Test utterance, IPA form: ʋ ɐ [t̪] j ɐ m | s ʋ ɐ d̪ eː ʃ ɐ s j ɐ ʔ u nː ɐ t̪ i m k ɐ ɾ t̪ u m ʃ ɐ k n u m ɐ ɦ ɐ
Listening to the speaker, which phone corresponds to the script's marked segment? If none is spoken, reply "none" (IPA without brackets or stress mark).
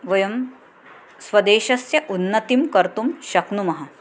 none